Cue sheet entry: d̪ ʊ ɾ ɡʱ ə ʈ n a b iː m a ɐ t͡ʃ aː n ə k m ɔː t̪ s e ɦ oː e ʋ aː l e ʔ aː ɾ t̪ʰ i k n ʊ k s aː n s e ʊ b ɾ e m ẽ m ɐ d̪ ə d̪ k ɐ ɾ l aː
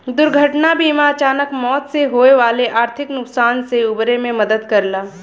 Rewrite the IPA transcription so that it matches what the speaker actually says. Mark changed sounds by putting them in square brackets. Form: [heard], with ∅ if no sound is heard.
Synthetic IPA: d̪ ʊ ɾ ɡʱ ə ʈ n a b iː m a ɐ t͡ʃ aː n ə k m ɔː t̪ s e ɦ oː e ʋ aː l e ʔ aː ɾ t̪ʰ [ɪ] k n ʊ k s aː n s e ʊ b ɾ e m ẽ m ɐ d̪ ə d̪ k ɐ ɾ l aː